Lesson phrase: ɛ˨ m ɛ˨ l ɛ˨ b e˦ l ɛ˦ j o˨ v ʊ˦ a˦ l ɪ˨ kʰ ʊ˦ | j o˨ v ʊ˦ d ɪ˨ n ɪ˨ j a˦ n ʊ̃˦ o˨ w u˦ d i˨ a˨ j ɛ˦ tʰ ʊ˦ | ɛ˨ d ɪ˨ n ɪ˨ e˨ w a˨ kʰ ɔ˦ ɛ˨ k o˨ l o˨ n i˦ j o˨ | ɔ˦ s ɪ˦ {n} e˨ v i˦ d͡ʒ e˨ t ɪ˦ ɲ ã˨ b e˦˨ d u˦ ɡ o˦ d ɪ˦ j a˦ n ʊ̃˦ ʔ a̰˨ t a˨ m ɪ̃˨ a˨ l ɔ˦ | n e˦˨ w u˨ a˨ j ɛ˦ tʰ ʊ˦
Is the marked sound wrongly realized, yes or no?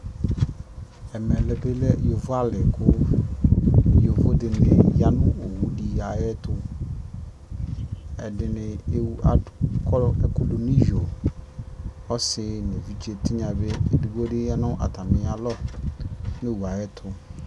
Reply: no